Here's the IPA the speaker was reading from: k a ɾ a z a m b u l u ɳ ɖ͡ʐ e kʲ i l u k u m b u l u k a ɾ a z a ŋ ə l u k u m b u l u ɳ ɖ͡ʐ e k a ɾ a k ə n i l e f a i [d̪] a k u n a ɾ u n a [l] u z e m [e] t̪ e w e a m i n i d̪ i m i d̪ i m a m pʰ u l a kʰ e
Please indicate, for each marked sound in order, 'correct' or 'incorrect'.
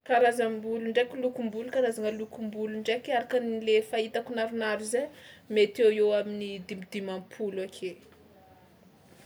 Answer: incorrect, incorrect, correct

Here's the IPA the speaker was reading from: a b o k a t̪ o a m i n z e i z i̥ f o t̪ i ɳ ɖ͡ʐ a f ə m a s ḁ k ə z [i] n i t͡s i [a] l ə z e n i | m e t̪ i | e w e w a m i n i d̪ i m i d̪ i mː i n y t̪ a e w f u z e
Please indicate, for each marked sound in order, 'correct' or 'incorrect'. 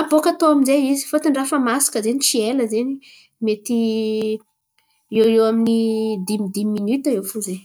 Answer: incorrect, incorrect

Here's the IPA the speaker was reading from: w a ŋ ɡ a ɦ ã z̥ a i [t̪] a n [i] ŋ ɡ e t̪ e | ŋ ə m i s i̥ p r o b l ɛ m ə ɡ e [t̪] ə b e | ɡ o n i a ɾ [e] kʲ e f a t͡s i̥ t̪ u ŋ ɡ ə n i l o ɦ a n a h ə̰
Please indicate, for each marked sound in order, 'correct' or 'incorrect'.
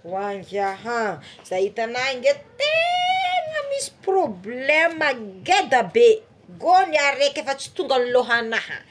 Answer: correct, incorrect, incorrect, correct

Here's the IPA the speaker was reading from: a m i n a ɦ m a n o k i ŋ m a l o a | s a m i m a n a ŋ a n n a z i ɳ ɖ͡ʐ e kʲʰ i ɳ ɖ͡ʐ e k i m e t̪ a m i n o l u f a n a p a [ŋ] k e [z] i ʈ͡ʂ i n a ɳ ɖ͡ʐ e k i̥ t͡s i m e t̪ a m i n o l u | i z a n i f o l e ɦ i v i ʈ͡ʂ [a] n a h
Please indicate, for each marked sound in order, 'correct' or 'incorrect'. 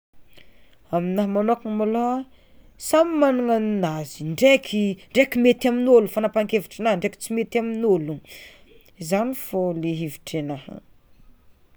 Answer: correct, incorrect, incorrect

